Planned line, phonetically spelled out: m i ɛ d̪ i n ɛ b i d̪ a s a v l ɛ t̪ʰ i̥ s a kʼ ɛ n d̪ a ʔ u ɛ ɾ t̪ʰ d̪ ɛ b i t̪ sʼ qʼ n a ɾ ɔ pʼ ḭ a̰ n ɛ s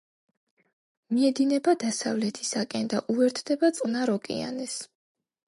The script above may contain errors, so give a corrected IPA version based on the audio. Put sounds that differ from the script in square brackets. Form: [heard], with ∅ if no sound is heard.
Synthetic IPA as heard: m i ɛ d̪ i n ɛ b [a] d̪ a s a v l ɛ t̪ʰ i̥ s a kʼ ɛ n d̪ a ʔ u ɛ ɾ t̪ʰ d̪ ɛ b [a] t̪ sʼ qʼ n a ɾ ɔ [kʼ] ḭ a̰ n ɛ s